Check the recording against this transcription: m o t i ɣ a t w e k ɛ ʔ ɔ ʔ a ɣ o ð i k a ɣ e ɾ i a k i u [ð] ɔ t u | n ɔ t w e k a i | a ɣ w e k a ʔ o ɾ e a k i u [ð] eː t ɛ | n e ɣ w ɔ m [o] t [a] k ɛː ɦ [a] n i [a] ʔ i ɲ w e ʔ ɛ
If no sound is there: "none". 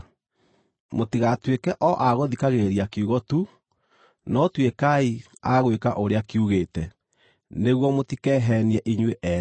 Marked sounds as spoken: ɣ, ɣ, o, i, ɛ, ɛ

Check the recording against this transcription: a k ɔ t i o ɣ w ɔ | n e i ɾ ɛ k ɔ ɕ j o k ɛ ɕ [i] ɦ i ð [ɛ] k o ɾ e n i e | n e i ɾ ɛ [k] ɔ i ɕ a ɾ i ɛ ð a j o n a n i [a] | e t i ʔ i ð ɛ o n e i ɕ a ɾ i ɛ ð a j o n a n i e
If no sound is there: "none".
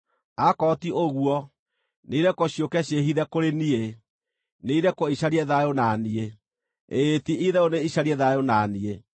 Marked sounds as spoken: e, ɛ, k, e

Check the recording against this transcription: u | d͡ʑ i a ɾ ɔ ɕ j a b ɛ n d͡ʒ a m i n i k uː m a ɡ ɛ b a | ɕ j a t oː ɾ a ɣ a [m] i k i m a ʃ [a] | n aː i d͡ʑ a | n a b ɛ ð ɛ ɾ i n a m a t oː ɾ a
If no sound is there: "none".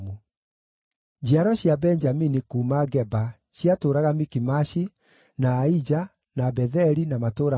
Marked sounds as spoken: m, i

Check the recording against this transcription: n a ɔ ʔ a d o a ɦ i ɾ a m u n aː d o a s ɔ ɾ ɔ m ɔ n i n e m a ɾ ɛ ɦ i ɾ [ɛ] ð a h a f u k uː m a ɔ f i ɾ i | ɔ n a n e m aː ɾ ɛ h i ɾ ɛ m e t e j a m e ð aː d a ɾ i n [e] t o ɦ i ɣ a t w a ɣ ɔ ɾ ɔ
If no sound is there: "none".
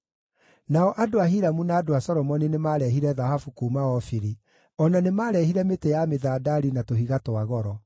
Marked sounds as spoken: ɛ, a

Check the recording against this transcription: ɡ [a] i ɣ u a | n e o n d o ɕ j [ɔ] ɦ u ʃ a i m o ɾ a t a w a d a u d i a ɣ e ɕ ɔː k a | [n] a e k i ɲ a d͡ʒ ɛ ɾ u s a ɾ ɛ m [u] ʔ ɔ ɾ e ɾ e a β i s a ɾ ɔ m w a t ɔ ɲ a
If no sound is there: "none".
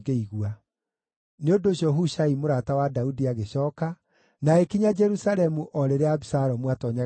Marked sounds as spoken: e, ɔ, n, u

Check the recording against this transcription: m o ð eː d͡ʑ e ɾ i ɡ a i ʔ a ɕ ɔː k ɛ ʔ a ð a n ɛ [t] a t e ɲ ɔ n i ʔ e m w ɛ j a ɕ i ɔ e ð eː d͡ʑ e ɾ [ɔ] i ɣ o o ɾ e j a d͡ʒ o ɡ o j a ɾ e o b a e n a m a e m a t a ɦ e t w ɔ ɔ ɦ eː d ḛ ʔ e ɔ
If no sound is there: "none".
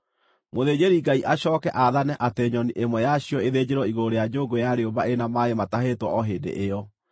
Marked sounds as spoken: ʔ, ɔ

